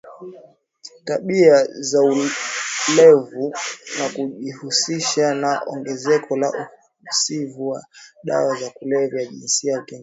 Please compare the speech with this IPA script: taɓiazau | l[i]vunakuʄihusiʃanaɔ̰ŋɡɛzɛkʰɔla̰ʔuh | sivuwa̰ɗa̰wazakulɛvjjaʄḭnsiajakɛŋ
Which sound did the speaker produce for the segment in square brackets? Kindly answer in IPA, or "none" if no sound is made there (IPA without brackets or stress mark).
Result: ɛ